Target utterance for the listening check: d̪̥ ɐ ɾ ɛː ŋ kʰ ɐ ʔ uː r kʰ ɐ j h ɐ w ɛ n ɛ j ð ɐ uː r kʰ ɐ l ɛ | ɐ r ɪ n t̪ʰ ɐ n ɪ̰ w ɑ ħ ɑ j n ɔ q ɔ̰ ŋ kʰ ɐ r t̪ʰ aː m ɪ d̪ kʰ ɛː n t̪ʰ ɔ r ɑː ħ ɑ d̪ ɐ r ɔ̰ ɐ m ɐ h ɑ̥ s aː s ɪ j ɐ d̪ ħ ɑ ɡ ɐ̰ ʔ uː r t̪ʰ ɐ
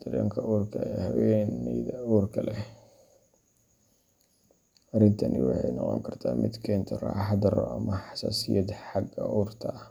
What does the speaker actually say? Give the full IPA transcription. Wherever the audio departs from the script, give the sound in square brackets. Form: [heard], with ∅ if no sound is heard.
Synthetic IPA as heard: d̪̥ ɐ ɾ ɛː ŋ kʰ ɐ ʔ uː r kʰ ɐ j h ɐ w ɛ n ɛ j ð ɐ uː r kʰ ɐ l ɛ | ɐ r ɪ n t̪ʰ ɐ n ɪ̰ w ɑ ħ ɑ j n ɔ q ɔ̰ ŋ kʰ ɐ r t̪ʰ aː m ɪ d̪ kʰ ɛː n t̪ʰ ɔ r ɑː ħ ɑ d̪ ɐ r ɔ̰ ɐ m ɐ [ħ] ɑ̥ s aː s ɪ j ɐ d̪ ħ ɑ ɡ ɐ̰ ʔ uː r t̪ʰ ɐ